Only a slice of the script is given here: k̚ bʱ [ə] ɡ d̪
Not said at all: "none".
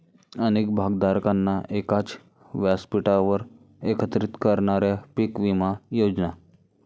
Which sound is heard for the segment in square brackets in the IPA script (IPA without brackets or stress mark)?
a